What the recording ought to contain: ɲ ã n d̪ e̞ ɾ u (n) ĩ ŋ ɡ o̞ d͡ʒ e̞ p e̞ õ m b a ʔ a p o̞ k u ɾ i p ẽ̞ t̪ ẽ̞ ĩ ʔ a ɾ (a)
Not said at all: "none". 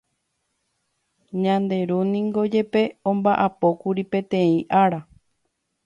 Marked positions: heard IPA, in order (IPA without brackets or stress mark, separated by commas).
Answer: n, a